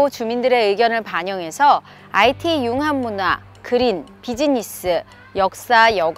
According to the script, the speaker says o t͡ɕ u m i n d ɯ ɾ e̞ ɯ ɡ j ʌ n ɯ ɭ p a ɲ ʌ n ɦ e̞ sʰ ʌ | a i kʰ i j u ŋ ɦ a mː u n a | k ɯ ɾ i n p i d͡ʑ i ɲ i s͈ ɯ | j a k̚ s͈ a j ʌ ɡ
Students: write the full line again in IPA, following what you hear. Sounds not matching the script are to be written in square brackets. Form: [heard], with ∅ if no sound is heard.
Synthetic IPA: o t͡ɕ u m i n d ɯ ɾ e̞ ɯ ɡ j ʌ n ɯ ɭ p a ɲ ʌ [ŋ] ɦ e̞ sʰ ʌ | a i [tʰ] i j u ŋ ɦ a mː u n a | k ɯ ɾ i n p i d͡ʑ i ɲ i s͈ ɯ | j [ʌ] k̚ s͈ a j ʌ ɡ